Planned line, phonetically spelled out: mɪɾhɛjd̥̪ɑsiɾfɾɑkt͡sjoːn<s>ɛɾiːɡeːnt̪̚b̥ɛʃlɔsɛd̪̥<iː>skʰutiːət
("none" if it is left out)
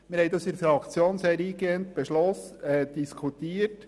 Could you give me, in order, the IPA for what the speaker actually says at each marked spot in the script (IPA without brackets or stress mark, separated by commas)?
s, i